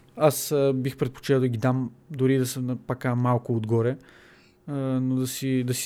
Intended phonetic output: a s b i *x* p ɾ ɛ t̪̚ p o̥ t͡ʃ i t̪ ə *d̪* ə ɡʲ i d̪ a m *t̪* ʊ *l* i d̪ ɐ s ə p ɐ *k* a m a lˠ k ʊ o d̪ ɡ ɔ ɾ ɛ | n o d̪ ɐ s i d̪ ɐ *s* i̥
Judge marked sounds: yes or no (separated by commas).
yes, yes, no, no, yes, yes